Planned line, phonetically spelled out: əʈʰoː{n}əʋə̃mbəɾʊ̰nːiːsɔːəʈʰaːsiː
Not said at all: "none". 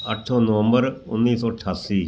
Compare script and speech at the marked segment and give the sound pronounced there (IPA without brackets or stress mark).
n